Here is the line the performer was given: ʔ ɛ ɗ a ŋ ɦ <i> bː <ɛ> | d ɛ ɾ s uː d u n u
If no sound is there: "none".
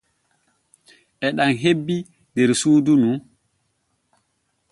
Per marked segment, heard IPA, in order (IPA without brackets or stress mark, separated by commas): e, i